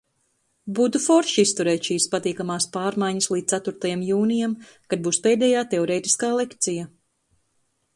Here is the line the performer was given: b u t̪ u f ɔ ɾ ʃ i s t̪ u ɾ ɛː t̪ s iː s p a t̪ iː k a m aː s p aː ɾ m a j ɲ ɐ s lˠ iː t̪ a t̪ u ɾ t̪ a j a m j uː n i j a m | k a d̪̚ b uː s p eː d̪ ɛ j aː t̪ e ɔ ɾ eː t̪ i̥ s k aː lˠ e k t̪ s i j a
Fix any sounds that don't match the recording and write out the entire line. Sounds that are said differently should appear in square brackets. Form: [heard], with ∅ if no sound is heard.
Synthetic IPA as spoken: b u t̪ u f ɔ ɾ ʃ i s t̪ u ɾ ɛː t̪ [ʃ] iː s p a t̪ iː k a m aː s p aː ɾ m a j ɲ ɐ s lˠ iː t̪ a t̪ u ɾ t̪ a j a m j uː n i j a m | k a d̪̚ b uː s p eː d̪ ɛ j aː t̪ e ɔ ɾ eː t̪ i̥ s k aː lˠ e k t̪ s i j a